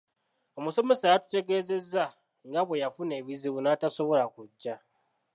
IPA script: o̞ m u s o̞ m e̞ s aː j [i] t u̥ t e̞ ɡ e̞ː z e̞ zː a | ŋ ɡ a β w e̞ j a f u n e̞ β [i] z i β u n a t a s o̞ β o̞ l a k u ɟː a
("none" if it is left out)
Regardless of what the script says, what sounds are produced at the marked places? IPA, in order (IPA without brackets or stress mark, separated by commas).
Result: a, i